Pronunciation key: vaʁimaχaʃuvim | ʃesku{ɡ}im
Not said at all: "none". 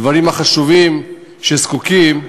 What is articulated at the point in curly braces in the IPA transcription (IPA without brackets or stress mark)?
k